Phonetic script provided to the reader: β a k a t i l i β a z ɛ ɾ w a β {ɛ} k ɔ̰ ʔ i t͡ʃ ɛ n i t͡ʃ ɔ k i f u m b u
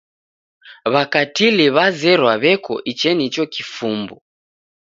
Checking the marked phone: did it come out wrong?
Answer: no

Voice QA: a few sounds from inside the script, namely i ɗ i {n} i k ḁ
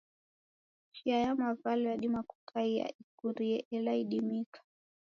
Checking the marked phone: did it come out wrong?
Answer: yes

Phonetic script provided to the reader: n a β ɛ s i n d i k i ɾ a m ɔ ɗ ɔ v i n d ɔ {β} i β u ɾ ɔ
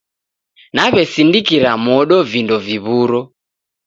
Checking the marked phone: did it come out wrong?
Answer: yes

